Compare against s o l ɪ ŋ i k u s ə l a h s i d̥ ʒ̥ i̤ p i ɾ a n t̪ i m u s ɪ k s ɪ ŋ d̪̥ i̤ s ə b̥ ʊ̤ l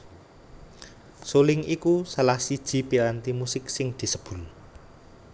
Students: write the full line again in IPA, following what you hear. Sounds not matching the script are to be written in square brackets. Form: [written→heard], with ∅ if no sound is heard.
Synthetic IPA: s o l ɪ ŋ i k u s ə l a h s i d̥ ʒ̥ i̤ p i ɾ a n t̪ i m u s ɪ k s ɪ ŋ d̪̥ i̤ s ə b̥ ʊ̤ l